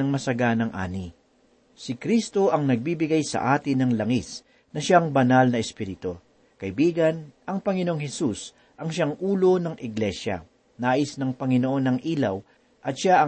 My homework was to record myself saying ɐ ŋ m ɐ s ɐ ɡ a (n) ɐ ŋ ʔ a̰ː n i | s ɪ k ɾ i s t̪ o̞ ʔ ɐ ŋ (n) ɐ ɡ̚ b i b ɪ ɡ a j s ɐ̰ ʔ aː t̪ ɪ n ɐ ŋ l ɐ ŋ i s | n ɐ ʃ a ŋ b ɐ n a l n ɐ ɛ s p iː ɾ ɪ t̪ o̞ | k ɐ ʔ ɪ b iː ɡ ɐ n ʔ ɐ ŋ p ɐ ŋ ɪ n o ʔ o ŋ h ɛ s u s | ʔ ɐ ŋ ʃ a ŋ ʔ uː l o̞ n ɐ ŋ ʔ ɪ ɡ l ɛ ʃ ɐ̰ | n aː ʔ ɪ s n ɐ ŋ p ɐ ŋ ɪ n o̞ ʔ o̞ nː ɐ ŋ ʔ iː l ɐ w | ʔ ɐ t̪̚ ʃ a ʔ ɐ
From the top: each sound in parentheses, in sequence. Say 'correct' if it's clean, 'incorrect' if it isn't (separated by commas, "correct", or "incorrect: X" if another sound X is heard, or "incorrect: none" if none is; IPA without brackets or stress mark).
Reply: correct, correct